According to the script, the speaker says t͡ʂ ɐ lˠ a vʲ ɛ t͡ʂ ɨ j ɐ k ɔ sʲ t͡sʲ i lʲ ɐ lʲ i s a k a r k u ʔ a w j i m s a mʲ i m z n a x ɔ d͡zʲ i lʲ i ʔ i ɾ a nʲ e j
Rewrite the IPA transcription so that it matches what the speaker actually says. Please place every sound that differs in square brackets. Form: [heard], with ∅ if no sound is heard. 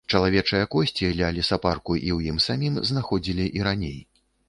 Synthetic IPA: t͡ʂ ɐ lˠ a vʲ ɛ t͡ʂ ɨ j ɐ k ɔ sʲ t͡sʲ i lʲ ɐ lʲ i s a [p] a r k u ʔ [i] w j i m s a mʲ i m z n a x ɔ d͡zʲ i lʲ i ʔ i ɾ a nʲ e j